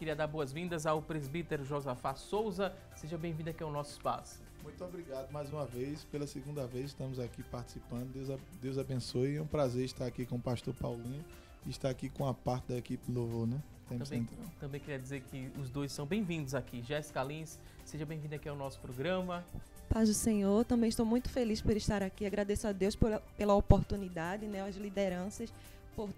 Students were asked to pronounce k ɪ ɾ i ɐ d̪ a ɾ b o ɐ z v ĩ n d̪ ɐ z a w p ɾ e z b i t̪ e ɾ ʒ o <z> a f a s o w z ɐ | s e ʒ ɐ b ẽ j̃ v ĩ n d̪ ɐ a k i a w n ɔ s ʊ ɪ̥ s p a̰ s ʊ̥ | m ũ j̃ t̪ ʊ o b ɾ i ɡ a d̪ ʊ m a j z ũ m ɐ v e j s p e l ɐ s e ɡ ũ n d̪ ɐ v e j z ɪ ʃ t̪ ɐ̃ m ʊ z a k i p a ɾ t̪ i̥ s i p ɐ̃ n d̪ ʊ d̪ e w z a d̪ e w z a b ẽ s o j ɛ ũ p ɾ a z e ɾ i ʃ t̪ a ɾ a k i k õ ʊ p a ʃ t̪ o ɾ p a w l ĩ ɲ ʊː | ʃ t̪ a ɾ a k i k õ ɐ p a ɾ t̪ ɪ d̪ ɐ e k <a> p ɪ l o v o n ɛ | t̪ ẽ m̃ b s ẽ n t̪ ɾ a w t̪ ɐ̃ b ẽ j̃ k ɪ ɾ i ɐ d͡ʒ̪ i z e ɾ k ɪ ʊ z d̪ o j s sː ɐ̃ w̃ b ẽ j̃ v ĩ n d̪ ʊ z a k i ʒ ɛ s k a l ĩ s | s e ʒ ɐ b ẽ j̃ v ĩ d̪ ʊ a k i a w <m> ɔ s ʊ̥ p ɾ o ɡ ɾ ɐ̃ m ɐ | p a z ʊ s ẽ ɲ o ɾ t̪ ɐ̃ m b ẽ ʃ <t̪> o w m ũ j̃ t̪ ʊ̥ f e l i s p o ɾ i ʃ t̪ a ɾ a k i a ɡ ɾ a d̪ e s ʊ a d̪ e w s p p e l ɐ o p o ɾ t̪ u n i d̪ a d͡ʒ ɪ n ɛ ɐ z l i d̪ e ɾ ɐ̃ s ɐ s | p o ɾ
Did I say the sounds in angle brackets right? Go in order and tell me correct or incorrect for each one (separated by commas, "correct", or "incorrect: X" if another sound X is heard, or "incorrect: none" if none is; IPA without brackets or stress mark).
correct, incorrect: i, incorrect: n, correct